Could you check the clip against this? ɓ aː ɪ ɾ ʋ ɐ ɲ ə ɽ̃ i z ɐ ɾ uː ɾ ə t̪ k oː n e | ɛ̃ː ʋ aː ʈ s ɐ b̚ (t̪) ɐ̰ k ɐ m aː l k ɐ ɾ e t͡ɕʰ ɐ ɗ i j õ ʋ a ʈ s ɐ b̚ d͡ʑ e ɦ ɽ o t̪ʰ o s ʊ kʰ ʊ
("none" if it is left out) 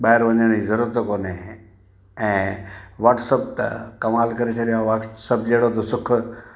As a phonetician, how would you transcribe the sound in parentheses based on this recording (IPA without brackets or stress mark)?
t̪